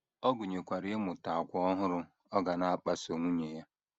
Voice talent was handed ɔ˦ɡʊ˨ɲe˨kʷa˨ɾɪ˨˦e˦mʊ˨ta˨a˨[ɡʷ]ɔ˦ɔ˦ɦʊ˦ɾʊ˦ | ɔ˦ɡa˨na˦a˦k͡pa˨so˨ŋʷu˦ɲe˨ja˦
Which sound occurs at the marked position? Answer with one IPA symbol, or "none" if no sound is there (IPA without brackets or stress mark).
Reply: kʷ